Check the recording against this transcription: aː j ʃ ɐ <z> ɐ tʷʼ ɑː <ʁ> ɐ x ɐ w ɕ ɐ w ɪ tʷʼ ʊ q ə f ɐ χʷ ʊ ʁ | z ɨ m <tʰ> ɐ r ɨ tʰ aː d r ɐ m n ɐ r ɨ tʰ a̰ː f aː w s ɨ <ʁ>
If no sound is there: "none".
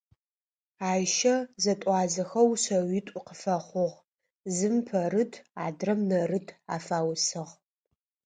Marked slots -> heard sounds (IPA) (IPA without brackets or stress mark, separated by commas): z, z, pʰ, ʁ